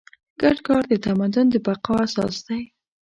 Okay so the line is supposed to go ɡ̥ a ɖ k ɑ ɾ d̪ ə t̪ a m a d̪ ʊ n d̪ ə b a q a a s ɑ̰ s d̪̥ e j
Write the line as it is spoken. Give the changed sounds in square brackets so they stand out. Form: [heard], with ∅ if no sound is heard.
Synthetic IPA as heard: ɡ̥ a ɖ k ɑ ɾ d̪ ə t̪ a m a d̪ ʊ n d̪ ə b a q [ɑ] a s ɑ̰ s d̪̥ [a] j